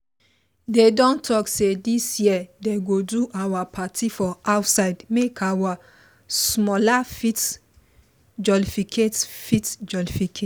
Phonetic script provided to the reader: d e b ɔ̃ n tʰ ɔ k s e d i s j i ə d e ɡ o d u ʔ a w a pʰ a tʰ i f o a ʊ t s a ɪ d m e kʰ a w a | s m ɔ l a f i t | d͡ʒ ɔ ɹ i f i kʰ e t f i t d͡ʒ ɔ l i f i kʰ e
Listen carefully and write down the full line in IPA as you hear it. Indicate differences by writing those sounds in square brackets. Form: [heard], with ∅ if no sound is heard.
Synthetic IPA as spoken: d e [d] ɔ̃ n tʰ ɔ k s e d i s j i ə d e ɡ o d u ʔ a w a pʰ a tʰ i f [ɔ] a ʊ t s a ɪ d m e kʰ a w a | s m ɔ l a f i t | d͡ʒ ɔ [l] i f i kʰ e t f i t d͡ʒ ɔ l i f i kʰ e